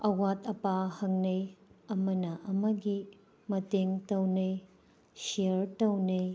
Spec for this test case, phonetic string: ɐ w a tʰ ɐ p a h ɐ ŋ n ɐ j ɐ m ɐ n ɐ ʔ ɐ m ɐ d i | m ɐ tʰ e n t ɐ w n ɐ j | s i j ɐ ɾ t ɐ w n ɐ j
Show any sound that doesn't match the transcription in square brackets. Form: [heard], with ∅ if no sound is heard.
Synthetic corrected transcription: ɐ w a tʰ ɐ p a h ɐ ŋ n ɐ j ɐ m ɐ n ɐ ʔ ɐ m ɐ [ɡ] i | m ɐ [t] e [ŋ] t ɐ w n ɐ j | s i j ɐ ɾ t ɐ w n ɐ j